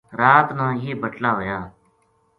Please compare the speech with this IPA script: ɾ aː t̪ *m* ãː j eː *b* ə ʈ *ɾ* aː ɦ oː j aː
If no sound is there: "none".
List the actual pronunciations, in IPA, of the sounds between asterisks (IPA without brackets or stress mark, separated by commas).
n, b, l